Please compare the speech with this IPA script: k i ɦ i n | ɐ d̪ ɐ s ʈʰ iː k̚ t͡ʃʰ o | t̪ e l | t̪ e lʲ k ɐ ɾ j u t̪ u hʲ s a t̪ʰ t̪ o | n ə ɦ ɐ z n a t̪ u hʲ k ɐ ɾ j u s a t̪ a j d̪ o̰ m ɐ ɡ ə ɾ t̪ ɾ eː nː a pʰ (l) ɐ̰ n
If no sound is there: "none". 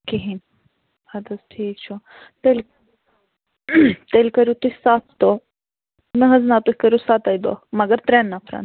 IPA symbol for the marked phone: ɾ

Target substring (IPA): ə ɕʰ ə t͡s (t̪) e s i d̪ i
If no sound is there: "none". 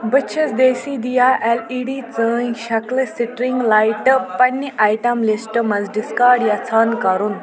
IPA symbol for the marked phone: d̪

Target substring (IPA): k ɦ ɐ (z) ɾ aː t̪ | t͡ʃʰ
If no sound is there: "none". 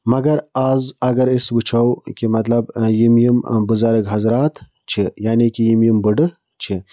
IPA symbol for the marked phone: z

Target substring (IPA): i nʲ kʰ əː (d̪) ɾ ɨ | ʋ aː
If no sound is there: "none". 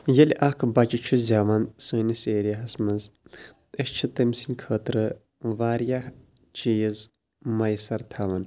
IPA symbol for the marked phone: t̪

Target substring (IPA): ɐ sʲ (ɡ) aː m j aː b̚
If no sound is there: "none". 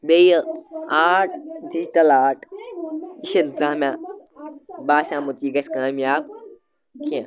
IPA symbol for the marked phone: k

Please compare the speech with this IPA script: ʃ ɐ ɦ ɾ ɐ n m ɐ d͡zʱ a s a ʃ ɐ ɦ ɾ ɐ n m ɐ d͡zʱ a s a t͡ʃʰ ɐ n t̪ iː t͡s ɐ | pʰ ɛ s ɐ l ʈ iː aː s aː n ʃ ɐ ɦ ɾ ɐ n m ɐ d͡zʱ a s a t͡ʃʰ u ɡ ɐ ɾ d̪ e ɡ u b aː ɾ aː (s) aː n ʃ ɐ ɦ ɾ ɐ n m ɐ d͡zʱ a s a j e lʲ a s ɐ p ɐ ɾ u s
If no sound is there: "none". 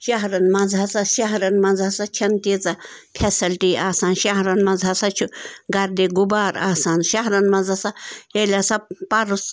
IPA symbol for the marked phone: s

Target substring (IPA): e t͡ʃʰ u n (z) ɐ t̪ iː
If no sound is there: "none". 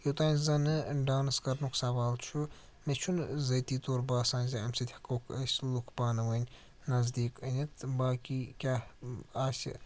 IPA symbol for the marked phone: z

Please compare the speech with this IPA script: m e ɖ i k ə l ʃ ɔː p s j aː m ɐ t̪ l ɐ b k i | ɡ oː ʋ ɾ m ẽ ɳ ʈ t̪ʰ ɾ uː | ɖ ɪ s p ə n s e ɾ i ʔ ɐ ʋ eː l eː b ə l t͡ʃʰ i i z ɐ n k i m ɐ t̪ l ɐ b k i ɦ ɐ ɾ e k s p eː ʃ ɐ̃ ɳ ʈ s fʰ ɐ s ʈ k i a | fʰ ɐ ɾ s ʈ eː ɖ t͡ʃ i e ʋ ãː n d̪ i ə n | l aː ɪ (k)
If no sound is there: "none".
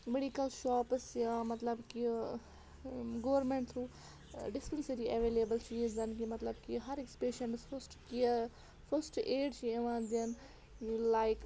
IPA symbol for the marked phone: k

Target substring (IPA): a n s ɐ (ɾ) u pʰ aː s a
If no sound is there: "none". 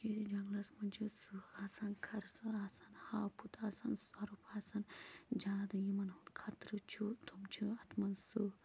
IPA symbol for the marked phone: ɾ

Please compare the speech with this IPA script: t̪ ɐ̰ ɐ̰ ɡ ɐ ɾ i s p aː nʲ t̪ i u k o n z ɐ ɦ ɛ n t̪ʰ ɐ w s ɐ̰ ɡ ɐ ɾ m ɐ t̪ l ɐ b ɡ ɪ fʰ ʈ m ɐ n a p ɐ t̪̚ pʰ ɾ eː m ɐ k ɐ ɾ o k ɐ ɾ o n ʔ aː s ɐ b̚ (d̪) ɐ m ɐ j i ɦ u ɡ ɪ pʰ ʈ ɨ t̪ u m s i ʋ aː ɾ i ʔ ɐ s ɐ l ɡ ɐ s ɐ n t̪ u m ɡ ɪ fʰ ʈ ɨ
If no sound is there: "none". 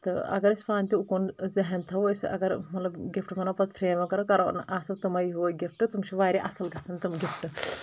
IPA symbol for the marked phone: t̪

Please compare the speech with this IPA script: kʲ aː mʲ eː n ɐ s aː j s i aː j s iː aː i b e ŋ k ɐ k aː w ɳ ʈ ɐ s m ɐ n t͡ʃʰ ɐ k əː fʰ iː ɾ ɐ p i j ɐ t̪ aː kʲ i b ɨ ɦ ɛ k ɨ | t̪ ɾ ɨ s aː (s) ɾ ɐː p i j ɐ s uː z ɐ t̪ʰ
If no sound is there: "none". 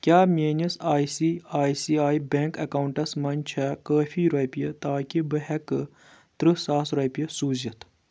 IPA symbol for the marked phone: s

